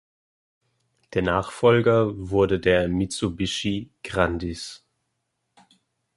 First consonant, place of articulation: alveolar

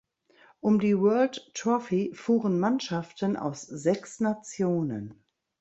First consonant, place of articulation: glottal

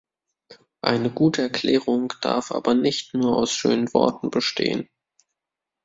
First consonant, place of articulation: glottal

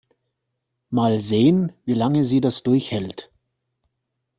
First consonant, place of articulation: labial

